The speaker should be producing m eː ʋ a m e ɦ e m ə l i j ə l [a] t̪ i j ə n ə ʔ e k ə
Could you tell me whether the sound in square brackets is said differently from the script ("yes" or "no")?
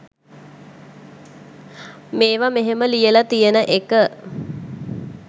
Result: no